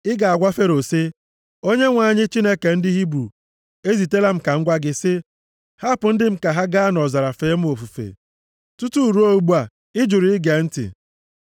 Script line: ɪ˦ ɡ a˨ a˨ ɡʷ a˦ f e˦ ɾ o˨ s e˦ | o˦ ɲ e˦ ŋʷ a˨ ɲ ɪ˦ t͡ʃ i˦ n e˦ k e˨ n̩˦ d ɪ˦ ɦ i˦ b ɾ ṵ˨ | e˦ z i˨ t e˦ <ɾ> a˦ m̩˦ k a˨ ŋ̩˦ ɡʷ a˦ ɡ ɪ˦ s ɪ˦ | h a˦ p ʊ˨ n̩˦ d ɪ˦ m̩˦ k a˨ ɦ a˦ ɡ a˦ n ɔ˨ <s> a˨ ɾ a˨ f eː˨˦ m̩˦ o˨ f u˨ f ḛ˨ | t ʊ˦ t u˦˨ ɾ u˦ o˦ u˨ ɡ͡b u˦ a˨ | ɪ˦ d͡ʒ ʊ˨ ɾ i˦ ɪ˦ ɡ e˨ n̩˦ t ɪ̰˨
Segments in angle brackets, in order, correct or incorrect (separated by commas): incorrect, incorrect